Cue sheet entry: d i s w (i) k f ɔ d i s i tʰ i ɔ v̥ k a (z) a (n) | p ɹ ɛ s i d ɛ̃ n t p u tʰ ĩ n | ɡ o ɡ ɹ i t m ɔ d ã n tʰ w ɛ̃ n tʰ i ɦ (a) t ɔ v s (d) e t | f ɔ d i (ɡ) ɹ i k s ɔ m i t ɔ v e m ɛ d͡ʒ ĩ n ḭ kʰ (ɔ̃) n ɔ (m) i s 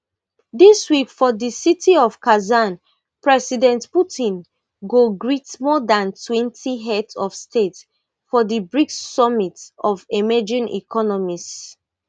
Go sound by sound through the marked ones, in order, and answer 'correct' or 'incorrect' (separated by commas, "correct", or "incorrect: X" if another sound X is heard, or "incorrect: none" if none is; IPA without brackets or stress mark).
correct, correct, correct, incorrect: ɛ, incorrect: t, incorrect: b, incorrect: ɔ, correct